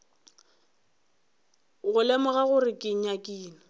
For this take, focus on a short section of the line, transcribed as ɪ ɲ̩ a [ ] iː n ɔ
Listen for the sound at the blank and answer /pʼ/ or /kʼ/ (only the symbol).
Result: kʼ